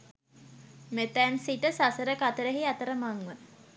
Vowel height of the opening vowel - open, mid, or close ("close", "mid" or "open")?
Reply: mid